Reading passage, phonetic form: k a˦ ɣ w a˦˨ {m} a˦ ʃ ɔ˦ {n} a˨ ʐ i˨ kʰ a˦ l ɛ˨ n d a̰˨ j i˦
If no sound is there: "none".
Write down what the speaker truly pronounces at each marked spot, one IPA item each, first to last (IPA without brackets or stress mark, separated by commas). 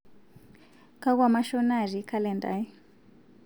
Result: m, n